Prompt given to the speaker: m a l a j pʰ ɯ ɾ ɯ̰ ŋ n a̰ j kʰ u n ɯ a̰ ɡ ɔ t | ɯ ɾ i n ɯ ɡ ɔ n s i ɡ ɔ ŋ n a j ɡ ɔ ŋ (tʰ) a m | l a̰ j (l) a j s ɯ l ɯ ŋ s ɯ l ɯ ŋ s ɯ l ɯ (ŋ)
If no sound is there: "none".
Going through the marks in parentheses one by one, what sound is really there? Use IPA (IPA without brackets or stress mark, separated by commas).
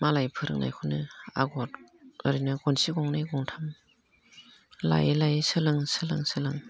tʰ, l, ŋ